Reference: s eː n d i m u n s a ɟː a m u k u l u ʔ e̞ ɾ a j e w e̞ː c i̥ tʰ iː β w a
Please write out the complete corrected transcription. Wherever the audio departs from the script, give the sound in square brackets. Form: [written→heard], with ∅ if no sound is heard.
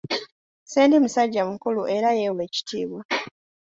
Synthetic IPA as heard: s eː n d i m u [n→∅] s a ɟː a m u k u l u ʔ e̞ ɾ a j e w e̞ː c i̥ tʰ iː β w a